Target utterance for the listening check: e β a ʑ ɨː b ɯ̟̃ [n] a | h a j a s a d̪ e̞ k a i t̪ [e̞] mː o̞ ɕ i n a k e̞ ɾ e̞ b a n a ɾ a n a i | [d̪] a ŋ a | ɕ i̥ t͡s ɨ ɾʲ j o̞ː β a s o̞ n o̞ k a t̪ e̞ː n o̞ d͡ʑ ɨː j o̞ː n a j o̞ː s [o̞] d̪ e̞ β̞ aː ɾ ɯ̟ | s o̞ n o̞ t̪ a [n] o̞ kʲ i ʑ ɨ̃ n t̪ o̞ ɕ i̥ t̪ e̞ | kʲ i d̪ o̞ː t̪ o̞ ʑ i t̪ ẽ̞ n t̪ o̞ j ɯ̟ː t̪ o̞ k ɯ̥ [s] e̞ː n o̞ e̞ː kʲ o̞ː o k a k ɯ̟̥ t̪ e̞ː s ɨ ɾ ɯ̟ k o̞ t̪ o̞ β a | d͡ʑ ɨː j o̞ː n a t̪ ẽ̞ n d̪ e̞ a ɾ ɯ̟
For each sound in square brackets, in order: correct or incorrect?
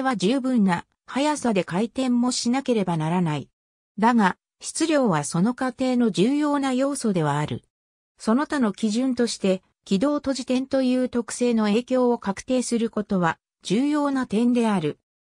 incorrect: nː, incorrect: ẽ̞, correct, correct, correct, correct

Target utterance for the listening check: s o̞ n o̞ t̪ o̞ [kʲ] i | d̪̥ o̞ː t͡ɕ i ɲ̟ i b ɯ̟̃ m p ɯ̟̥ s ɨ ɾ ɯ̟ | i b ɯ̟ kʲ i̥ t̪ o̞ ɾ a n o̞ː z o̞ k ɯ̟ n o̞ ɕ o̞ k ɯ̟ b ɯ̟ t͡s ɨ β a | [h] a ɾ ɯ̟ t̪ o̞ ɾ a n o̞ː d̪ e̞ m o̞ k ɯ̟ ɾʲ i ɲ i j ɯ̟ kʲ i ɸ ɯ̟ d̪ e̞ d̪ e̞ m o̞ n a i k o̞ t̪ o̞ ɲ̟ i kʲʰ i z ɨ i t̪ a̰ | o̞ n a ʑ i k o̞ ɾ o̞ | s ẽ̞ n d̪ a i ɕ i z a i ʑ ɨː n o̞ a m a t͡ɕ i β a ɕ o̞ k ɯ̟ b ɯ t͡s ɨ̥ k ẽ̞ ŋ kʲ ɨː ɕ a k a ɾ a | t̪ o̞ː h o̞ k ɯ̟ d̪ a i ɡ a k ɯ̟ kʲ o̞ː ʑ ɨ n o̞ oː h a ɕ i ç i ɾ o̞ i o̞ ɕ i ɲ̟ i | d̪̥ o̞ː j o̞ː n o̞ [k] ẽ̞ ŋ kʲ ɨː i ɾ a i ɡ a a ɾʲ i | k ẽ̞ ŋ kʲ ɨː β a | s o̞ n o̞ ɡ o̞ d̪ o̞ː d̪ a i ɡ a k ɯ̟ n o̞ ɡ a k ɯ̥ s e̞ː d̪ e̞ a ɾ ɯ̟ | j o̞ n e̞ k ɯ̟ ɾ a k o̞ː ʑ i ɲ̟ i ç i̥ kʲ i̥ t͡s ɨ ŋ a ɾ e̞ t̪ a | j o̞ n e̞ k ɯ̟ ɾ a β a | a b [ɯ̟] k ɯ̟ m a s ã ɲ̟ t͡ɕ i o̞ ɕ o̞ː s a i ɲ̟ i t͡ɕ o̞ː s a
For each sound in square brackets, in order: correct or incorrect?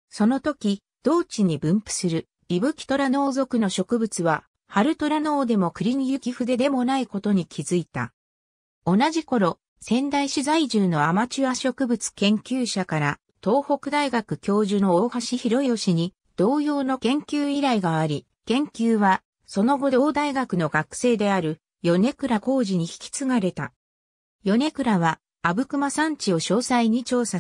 correct, correct, correct, correct

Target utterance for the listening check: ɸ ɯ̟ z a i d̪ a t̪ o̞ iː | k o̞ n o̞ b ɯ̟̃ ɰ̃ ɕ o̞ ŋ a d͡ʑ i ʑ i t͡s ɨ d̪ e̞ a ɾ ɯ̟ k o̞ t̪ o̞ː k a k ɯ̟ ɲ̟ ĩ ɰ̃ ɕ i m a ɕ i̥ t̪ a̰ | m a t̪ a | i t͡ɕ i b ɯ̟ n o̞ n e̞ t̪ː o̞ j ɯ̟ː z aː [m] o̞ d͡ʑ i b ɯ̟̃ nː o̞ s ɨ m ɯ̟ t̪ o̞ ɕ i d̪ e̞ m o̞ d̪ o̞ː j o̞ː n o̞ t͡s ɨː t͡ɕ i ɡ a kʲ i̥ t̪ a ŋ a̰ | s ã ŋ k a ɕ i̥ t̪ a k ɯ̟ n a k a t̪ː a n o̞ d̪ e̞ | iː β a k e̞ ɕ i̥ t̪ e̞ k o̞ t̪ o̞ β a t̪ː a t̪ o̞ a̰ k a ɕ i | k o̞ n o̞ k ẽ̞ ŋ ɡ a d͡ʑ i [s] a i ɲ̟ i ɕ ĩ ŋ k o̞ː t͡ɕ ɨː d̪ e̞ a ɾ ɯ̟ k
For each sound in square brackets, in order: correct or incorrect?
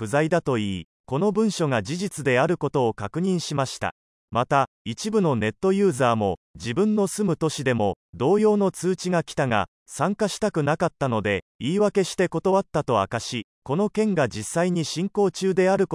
correct, incorrect: sː

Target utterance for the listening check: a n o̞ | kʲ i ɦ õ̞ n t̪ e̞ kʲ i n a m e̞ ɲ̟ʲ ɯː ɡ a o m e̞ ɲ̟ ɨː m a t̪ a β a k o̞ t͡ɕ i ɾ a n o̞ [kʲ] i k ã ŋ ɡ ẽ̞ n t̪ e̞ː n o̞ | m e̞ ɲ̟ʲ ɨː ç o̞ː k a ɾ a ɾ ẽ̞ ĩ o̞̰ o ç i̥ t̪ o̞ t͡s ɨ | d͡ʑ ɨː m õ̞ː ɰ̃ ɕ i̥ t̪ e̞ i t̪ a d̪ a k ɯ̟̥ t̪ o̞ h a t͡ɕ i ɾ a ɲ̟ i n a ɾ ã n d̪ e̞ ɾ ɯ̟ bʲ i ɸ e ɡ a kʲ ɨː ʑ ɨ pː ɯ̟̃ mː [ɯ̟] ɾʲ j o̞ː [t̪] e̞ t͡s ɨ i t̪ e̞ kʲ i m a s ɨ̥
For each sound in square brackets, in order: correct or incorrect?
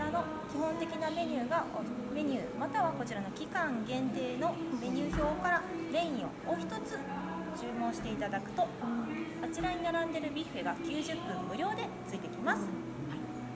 correct, correct, incorrect: d̪

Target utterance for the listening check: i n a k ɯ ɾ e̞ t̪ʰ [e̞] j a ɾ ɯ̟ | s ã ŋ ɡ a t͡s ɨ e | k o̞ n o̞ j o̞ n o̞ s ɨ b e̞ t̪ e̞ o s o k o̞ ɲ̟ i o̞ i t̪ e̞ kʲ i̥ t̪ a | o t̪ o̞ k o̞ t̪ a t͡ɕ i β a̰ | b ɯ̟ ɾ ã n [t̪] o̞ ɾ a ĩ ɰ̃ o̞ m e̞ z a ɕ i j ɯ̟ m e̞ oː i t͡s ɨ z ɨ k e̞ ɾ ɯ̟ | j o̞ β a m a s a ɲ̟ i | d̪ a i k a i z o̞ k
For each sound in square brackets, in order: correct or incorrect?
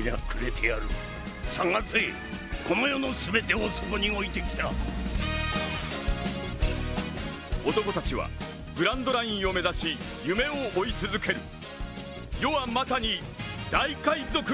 correct, incorrect: d̪

